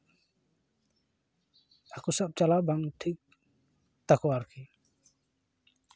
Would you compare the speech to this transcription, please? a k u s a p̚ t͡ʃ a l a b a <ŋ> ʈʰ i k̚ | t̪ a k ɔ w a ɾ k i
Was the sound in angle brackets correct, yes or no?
yes